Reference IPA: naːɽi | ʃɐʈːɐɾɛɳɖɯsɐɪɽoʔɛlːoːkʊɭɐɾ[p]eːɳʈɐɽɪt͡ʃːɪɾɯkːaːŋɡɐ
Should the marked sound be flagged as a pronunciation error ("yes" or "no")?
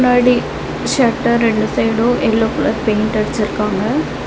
no